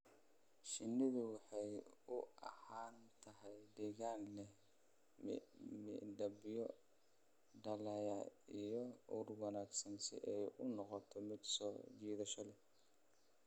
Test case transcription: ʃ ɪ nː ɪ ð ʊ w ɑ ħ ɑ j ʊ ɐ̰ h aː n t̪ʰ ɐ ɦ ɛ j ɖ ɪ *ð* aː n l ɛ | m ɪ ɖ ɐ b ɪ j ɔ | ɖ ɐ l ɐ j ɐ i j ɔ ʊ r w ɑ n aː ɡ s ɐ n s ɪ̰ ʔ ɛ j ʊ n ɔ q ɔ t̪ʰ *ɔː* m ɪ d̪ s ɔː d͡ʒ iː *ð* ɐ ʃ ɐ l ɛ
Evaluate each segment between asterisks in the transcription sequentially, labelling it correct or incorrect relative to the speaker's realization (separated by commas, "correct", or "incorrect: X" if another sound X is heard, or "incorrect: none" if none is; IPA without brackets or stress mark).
incorrect: ɣ, incorrect: ɔ, correct